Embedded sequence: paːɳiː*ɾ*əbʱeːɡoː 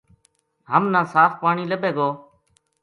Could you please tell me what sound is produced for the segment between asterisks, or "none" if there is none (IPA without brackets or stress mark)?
l